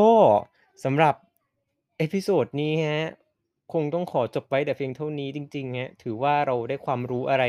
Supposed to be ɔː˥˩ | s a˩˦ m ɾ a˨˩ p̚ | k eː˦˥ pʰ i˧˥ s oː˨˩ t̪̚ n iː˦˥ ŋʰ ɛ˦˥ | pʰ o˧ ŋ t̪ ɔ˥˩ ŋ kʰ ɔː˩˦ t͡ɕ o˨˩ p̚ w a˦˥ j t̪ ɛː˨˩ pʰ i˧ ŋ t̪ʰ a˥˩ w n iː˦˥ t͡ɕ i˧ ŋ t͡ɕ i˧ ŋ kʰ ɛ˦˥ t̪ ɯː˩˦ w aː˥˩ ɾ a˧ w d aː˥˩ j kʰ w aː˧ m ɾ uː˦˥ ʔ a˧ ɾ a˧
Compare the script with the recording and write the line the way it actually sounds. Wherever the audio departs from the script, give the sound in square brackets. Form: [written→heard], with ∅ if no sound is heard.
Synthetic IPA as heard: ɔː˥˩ | s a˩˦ m ɾ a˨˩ p̚ | [k→ʔ] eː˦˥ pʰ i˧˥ s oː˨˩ t̪̚ n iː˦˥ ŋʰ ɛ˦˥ | [pʰ→kʰ] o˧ ŋ t̪ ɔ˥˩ ŋ kʰ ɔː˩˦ t͡ɕ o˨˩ p̚ w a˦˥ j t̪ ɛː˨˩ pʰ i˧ ŋ t̪ʰ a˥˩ w n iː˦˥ t͡ɕ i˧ ŋ t͡ɕ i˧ ŋ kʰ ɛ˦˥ [t̪→t̪ʰ] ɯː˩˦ w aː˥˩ ɾ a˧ w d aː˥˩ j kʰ w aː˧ m ɾ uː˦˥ ʔ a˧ ɾ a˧